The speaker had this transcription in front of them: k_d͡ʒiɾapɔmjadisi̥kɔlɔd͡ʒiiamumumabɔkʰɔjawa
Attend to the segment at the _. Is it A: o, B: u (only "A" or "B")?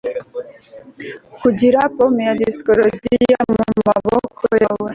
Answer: B